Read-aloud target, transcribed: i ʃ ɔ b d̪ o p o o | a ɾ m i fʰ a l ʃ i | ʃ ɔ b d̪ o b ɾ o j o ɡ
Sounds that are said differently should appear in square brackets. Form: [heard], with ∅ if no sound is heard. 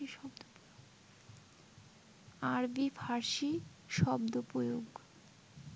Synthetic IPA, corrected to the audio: i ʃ ɔ b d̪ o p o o | a ɾ [b] i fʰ a [ɾ] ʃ i | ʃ ɔ b d̪ o [p] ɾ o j o ɡ